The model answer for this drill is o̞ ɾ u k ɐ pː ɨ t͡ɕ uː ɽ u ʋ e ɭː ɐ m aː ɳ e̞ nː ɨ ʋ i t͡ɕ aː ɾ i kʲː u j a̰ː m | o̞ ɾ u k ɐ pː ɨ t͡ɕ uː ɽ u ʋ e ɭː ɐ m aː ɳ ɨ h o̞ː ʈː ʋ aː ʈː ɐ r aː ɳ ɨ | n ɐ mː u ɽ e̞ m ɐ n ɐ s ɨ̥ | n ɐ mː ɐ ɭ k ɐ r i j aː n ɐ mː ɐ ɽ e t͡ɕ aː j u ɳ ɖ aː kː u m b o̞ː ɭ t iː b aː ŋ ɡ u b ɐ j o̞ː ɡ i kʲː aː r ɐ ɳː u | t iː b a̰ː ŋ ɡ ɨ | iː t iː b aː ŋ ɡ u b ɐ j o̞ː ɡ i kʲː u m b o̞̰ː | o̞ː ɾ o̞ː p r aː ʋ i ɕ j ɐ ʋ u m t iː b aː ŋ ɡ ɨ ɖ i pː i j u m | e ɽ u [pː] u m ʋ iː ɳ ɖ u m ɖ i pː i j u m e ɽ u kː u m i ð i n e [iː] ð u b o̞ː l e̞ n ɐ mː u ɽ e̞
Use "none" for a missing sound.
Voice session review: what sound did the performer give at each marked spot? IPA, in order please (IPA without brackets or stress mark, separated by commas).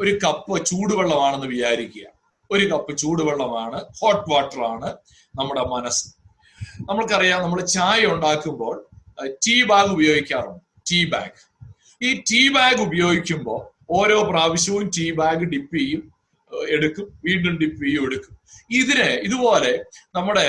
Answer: kː, i